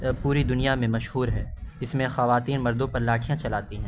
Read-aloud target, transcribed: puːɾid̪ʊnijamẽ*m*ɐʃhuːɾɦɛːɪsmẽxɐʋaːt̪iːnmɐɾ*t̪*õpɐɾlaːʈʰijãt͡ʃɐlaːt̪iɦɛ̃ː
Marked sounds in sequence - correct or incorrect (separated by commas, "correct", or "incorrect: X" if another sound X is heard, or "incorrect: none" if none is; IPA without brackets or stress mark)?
correct, incorrect: d̪